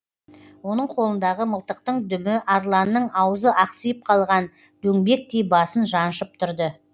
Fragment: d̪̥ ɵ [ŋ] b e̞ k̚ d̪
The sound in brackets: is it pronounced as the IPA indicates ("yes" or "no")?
yes